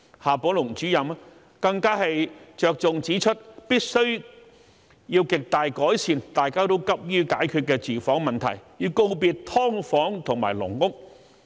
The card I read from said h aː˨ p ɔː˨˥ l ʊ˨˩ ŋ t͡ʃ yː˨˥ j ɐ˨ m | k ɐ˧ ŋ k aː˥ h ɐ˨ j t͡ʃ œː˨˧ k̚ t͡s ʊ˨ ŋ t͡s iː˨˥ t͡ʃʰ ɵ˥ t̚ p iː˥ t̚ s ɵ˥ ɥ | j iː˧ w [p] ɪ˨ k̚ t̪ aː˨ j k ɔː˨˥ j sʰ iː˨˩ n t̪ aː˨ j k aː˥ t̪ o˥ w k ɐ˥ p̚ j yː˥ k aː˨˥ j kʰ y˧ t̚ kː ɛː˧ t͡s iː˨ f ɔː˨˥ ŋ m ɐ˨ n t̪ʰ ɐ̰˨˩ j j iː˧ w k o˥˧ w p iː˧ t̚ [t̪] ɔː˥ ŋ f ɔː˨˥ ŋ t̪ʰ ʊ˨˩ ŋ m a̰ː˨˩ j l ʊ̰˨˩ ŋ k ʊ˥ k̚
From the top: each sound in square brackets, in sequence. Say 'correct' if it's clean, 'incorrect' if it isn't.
incorrect: k, incorrect: t̪ʰ

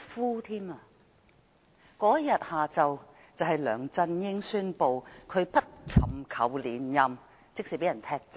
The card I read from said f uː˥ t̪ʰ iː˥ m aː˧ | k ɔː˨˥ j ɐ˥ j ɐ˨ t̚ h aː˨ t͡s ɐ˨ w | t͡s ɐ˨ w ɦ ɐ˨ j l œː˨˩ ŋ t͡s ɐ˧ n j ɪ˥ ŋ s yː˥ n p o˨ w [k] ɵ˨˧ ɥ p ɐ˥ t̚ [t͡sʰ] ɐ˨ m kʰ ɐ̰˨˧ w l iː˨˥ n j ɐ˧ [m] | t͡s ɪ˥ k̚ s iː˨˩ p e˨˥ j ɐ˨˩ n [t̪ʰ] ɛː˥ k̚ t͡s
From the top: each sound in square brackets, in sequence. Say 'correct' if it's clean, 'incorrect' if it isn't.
incorrect: kʰ, correct, correct, correct

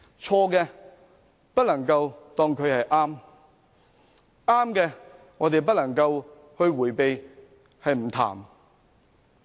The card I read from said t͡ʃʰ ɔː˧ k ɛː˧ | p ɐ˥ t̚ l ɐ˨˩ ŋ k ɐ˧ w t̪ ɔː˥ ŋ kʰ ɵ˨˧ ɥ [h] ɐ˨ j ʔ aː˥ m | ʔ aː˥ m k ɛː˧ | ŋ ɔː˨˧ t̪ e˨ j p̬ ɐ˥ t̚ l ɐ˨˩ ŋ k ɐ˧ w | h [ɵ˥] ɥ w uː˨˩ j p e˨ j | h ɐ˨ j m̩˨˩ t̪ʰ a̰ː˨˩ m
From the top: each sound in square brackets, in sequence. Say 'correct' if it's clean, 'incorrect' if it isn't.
correct, incorrect: ɵ˧

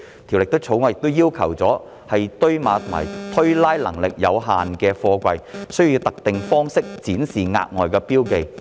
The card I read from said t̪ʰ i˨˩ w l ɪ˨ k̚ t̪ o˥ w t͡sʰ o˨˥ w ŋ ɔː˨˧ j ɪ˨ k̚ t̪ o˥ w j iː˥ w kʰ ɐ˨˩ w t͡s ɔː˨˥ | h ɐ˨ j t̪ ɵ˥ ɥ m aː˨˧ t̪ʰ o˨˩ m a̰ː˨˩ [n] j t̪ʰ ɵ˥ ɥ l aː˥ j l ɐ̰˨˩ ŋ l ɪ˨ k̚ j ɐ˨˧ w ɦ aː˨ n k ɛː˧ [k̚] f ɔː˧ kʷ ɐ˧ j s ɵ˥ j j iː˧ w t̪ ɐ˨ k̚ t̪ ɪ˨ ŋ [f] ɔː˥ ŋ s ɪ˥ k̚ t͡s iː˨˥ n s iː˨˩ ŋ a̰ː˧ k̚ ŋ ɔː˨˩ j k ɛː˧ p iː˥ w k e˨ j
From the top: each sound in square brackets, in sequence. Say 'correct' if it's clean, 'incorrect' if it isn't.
incorrect: none, incorrect: none, correct

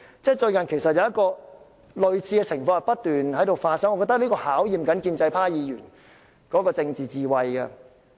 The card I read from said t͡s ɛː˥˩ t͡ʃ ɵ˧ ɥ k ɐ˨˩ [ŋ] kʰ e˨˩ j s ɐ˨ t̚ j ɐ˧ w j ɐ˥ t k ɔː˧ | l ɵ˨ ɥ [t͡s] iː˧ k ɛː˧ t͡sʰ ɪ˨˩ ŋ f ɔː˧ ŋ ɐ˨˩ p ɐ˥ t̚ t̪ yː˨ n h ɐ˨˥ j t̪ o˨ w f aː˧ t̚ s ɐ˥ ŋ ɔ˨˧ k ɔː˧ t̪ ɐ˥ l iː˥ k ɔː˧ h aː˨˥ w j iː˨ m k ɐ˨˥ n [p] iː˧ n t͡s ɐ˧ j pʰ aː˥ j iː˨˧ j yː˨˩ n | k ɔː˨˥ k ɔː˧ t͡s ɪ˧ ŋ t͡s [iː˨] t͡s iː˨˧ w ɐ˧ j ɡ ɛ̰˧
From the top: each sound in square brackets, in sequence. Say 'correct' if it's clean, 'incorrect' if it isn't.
incorrect: n, incorrect: t͡sʰ, incorrect: k, correct

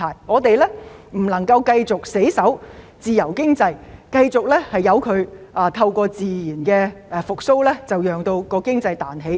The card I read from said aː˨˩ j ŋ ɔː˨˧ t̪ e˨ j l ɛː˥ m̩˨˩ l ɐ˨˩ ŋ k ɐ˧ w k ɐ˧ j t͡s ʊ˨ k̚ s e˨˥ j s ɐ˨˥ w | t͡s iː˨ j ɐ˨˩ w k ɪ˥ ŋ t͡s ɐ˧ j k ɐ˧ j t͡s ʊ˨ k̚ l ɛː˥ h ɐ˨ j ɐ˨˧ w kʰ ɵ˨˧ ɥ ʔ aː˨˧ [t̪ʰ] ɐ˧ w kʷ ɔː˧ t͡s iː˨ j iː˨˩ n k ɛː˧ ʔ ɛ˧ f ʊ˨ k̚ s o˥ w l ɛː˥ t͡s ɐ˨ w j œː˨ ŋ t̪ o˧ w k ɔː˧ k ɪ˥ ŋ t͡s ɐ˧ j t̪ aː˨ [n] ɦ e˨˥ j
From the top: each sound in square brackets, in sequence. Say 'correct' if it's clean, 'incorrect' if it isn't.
correct, correct

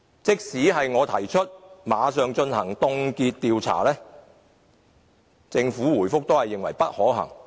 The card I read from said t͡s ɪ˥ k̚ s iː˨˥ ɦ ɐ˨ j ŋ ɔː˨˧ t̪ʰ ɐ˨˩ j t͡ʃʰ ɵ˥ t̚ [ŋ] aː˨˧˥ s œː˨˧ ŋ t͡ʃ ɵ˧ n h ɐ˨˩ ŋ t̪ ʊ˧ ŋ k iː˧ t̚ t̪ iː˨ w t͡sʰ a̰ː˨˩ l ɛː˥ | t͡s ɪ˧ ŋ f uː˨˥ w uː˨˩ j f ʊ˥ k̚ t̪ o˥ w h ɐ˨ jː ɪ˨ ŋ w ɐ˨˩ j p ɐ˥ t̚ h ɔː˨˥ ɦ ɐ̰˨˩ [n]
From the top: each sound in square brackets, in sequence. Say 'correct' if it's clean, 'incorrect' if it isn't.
incorrect: m, incorrect: ŋ

